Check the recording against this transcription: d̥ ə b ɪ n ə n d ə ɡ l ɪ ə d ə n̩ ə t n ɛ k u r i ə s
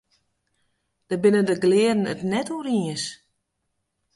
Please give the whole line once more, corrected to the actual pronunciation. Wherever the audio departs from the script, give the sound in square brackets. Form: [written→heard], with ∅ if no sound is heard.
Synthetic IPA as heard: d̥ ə b ɪ n ə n d ə ɡ l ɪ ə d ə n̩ ə t n ɛ [k→t] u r i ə s